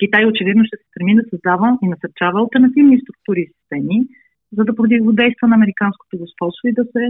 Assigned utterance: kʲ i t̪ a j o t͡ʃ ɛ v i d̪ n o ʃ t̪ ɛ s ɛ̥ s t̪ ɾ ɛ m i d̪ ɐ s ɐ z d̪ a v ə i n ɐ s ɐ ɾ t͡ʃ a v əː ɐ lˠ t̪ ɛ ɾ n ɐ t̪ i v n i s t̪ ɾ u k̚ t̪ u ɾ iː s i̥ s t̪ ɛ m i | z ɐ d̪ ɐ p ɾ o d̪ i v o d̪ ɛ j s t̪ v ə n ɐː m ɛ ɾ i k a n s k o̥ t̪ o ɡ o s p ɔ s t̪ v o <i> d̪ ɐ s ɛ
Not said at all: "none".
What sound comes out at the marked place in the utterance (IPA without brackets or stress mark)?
i